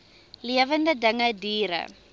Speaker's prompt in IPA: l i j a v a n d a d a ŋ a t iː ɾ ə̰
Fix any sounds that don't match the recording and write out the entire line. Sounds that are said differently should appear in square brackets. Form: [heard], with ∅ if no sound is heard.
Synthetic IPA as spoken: l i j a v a n d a d a ŋ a [d] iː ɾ [a̰]